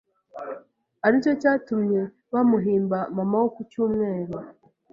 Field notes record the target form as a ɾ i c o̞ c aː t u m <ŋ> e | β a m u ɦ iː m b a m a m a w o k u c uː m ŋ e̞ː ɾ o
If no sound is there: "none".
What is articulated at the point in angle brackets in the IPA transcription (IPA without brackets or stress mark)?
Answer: ɲ